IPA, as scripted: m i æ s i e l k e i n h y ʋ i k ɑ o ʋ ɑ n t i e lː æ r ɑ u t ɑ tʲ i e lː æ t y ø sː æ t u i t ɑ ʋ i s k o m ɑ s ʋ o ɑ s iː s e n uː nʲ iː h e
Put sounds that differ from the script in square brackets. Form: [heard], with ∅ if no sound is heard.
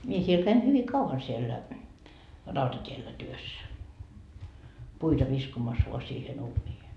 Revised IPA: m i [e] s i e l k [æ] i n h y ʋ i k ɑ [u] ʋ ɑ n [s] i e lː æ r ɑ u t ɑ tʲ i e lː æ t y ø sː æ [p] u i t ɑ ʋ i s k o m ɑ s ʋ o ɑ s iː [h] e n uː nʲ iː h e